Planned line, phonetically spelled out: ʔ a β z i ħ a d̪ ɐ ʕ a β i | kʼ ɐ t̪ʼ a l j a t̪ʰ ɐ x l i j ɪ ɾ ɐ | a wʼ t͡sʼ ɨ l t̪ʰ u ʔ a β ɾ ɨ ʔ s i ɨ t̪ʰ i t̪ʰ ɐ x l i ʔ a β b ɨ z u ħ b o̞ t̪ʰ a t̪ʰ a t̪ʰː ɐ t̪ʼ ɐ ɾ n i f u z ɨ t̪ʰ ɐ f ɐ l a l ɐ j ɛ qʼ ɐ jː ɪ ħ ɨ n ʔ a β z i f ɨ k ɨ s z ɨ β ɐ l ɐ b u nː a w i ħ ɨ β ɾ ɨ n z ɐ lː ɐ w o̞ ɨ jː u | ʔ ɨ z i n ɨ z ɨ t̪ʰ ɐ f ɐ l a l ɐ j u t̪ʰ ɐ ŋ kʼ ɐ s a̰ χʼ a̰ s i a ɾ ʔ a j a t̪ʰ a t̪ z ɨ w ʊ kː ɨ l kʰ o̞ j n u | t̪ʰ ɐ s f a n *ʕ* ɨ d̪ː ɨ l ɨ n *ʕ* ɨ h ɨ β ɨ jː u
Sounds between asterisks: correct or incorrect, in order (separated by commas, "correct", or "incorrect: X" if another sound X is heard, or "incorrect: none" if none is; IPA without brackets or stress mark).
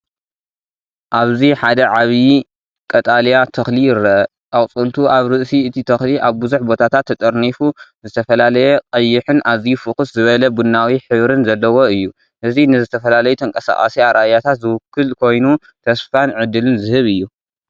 correct, incorrect: z